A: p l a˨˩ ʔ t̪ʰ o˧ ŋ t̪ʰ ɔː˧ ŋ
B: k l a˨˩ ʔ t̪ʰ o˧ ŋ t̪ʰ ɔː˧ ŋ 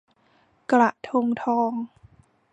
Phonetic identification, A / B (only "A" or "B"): B